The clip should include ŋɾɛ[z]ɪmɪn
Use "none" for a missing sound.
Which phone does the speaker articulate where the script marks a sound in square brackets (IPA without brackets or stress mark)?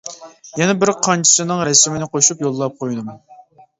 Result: s